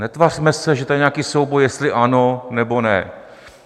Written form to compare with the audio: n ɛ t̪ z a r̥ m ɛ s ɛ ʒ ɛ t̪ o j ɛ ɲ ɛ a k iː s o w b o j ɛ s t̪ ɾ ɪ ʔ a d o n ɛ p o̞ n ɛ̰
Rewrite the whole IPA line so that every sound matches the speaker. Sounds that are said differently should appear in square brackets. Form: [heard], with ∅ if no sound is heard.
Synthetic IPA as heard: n ɛ t̪ [v] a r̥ m ɛ s ɛ ʒ ɛ t̪ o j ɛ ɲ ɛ a k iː s o w b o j ɛ s t̪ [l] ɪ ʔ a [n] o n ɛ [b] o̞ n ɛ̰